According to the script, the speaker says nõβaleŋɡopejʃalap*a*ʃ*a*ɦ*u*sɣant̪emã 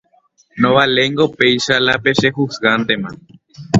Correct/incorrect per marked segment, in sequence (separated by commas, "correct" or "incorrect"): incorrect, incorrect, correct